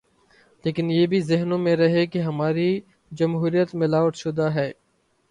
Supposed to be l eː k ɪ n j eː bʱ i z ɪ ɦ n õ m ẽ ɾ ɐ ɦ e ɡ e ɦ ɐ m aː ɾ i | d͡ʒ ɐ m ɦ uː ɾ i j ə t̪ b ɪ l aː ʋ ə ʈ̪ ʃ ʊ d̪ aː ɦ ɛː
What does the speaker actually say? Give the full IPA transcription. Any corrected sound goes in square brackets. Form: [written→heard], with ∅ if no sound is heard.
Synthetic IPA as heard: l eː k ɪ n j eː bʱ i z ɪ ɦ n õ m ẽ ɾ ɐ ɦ e [ɡ→k] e ɦ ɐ m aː ɾ i | d͡ʒ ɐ m ɦ uː ɾ i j ə t̪ [b→m] ɪ l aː ʋ ə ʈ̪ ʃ ʊ d̪ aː ɦ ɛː